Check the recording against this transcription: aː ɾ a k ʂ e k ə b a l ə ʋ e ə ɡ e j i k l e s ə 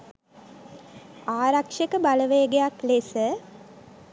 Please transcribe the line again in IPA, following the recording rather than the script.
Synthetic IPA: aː ɾ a k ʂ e k ə b a l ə ʋ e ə ɡ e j a k l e s ə